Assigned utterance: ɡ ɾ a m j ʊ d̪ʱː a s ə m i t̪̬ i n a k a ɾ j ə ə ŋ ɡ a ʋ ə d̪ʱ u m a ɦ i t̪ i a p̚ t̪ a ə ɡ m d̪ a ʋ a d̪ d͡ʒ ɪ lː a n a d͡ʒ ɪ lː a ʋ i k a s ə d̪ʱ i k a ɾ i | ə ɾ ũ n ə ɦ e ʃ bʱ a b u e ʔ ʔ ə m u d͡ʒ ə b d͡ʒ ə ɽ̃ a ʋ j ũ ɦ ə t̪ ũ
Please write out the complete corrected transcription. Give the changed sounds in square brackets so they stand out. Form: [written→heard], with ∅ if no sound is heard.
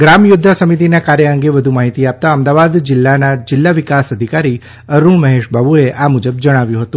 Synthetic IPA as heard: ɡ ɾ a m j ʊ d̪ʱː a s ə m i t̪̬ i n a k a ɾ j ə ə ŋ ɡ [a→e] ʋ ə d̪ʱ u m a ɦ i t̪ i a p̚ t̪ a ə [ɡ→∅] m d̪ a ʋ a d̪ d͡ʒ ɪ lː a n a d͡ʒ ɪ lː a ʋ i k a s ə d̪ʱ i k a ɾ i | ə ɾ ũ [n→m] ə ɦ e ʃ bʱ a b u e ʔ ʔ [ə→a] m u d͡ʒ ə b d͡ʒ ə ɽ̃ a ʋ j ũ ɦ ə t̪ ũ